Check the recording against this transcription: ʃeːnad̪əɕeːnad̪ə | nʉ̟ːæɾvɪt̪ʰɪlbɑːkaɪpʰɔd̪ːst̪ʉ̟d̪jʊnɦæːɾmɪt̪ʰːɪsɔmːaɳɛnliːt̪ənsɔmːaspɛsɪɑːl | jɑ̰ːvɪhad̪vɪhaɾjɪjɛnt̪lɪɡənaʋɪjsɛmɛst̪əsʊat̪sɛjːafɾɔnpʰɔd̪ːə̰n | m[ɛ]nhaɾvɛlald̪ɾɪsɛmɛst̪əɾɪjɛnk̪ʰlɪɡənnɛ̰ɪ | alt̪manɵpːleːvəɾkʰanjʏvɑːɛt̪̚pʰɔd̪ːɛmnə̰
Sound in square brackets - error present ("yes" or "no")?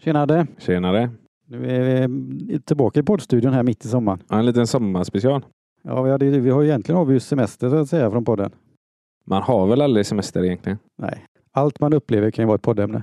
yes